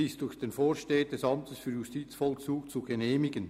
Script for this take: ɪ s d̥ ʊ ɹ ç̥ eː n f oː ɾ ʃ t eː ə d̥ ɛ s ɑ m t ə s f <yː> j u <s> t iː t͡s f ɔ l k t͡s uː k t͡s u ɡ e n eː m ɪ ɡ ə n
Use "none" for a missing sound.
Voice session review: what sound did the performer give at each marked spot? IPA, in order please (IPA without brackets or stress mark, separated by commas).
yː, s